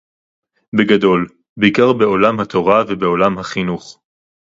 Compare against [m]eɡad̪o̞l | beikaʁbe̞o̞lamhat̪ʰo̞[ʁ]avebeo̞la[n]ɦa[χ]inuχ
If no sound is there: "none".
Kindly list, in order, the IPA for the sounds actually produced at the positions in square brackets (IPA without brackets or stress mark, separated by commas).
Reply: b, ʁ, m, χ